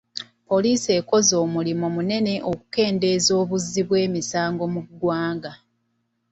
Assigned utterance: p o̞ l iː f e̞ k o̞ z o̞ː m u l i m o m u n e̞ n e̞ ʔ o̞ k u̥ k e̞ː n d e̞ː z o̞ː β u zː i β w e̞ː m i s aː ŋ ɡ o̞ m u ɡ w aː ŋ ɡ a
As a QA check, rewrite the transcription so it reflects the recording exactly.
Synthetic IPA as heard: p o̞ l iː s e̞ k o̞ z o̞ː m u l i m o m u n e̞ n e̞ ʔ o̞ k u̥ k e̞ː n d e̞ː z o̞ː β u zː i β w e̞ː m i s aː ŋ ɡ o̞ m u ɡ w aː ŋ ɡ a